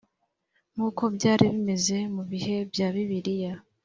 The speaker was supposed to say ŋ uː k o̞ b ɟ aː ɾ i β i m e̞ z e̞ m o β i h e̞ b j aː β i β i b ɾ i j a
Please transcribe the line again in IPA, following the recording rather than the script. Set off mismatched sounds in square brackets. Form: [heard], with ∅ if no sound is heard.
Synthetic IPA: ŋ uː k o̞ b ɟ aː ɾ i β i m e̞ z e̞ m [u] β i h e̞ b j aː β i β i [∅] ɾ i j a